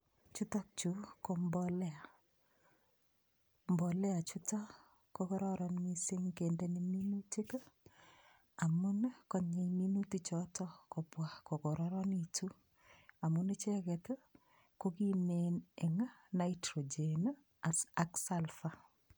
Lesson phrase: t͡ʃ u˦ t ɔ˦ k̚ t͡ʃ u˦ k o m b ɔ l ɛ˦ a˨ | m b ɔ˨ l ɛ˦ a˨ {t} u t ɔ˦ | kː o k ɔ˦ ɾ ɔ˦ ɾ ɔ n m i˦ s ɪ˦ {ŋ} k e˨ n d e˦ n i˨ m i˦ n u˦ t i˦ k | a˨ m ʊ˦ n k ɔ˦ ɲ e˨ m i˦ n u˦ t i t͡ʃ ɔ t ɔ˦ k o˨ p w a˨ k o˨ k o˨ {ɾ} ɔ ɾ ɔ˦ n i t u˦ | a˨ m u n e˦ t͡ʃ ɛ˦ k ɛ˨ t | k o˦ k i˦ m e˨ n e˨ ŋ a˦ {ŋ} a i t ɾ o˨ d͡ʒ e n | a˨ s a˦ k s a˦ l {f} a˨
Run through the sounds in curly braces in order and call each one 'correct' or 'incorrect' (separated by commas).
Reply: incorrect, correct, correct, incorrect, correct